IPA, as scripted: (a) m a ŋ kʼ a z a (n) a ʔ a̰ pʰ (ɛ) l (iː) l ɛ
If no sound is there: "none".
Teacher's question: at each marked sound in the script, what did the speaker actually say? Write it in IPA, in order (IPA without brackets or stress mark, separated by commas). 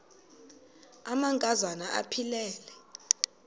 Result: a, n, i, ɛː